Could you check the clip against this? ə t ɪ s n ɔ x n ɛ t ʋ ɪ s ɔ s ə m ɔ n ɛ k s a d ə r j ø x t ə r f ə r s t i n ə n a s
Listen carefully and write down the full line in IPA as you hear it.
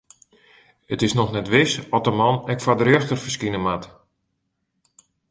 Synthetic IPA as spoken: ə t ɪ s n ɔ x n ɛ t ʋ ɪ s ɔ t ə m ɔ n ɛ k f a d ə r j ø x t ə r f ə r s k i n ə m a t